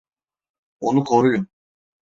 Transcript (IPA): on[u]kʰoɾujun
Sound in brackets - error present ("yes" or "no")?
no